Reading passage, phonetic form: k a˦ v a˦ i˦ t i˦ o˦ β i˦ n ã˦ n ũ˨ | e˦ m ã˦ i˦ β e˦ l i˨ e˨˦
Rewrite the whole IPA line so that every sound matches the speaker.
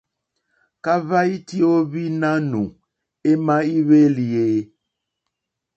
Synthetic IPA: k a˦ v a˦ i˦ t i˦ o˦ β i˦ n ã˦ n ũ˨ | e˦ m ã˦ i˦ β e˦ l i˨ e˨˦